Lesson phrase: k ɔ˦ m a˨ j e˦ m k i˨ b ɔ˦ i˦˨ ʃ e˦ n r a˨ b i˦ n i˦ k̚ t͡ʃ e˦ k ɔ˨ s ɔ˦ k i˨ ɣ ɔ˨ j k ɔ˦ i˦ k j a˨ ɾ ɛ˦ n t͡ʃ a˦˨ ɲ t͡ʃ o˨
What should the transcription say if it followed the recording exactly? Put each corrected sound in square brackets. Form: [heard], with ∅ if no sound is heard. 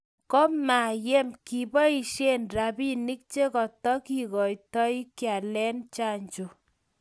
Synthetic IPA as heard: k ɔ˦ m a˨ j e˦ m k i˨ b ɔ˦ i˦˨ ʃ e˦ n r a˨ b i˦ n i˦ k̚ t͡ʃ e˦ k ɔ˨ [t] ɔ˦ k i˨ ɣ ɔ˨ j [t] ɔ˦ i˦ k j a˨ [l] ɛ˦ n t͡ʃ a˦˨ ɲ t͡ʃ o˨